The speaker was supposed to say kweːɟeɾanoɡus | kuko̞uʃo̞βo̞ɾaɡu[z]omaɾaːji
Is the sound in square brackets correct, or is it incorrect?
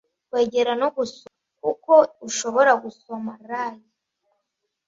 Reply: incorrect